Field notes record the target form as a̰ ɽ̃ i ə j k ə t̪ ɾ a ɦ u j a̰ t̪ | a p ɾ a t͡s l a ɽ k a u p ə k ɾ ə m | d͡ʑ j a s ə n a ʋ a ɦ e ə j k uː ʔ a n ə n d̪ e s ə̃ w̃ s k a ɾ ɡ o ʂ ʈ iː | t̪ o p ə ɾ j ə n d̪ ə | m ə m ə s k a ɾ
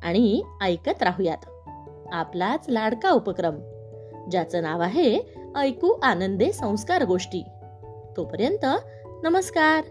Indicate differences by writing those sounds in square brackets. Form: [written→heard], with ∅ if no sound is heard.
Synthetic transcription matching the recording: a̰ ɽ̃ i ə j k ə t̪ ɾ a ɦ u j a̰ t̪ | a p [ɾ→l] a t͡s l a ɽ k a u p ə k ɾ ə m | d͡ʑ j a [s→t͡s] ə n a ʋ a ɦ e ə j k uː ʔ a n ə n d̪ e s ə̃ w̃ s k a ɾ ɡ o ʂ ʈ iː | t̪ o p ə ɾ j ə n [d̪→t̪] ə | [m→n] ə m ə s k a ɾ